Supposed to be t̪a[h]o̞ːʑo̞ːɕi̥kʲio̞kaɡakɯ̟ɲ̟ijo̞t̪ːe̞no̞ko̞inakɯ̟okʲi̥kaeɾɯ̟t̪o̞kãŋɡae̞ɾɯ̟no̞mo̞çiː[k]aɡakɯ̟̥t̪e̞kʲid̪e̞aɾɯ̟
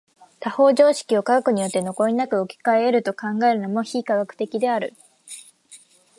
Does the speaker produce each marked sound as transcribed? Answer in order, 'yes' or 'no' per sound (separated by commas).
yes, yes